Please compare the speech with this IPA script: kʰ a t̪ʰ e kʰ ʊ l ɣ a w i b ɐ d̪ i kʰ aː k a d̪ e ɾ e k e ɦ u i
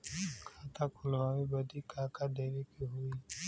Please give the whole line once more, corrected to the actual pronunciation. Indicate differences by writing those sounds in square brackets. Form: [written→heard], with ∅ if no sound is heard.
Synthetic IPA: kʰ a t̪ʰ [e→a] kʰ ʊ l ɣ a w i b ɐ d̪ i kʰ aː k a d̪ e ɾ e k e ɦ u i